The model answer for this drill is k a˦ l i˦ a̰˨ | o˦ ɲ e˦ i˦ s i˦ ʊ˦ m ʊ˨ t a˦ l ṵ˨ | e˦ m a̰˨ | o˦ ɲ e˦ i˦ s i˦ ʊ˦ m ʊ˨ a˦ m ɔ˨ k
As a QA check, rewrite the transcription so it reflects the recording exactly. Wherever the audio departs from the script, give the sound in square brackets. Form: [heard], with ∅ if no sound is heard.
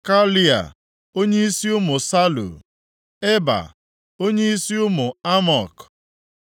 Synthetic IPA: k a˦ l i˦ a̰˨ | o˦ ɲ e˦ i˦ s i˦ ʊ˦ m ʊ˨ [s] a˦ l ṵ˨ | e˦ [b] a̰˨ | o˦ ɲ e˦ i˦ s i˦ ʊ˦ m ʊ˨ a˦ m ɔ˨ k